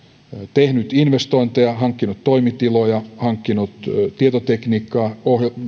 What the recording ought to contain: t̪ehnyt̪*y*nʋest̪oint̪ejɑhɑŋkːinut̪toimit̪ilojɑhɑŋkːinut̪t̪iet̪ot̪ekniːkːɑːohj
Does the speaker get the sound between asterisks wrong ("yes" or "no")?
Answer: yes